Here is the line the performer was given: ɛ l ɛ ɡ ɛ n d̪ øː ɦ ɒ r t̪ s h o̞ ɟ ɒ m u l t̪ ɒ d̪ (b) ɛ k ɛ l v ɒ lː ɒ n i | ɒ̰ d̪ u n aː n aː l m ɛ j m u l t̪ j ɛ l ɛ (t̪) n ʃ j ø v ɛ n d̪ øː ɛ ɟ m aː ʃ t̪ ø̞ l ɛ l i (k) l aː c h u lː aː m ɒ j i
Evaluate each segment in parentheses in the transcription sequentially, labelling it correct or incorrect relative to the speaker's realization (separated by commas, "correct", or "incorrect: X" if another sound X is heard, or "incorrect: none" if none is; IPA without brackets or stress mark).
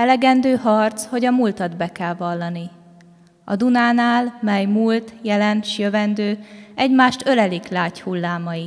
correct, incorrect: none, correct